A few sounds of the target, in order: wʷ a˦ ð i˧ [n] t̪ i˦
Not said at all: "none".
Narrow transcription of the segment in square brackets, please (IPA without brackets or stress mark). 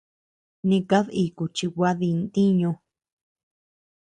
n